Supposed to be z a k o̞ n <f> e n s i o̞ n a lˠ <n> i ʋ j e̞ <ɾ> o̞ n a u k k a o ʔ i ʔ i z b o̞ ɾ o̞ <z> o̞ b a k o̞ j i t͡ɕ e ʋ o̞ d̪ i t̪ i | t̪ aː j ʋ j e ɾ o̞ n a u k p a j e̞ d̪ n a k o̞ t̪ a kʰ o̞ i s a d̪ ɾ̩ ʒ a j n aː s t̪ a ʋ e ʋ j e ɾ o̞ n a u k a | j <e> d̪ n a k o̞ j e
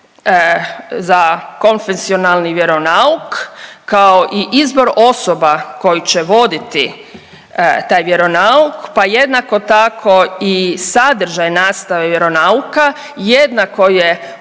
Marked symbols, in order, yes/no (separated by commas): yes, yes, yes, no, yes